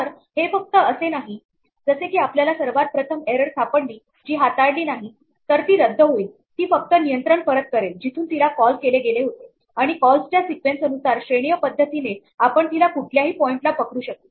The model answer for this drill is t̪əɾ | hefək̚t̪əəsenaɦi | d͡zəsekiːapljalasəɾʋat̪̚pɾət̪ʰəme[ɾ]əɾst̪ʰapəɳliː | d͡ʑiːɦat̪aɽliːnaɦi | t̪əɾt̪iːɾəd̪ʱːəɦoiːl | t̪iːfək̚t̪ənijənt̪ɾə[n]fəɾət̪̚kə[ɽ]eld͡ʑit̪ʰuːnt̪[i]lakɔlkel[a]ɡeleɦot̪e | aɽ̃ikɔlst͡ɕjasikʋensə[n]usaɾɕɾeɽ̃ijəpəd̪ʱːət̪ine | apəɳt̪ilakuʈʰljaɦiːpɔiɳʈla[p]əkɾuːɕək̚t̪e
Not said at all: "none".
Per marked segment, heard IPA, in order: ɾ, ɳ, ɾ, i, e, n, p

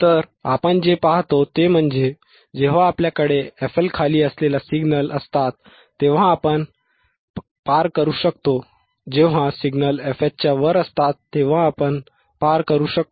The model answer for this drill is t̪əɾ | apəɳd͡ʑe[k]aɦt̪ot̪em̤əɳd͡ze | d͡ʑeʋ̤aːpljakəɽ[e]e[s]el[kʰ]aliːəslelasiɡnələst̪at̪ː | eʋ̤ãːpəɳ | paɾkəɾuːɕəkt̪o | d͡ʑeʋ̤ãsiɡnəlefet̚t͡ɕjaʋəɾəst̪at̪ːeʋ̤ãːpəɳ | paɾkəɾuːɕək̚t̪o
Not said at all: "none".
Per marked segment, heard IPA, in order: p, e, f, kʰ

